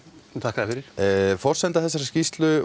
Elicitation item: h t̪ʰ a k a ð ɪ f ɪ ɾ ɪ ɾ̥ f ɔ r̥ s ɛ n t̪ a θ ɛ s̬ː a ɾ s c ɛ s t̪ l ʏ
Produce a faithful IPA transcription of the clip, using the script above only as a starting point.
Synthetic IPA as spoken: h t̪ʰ a k a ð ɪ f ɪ ɾ ɪ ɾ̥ f ɔ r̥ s ɛ n t̪ a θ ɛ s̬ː a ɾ s c i s t̪ l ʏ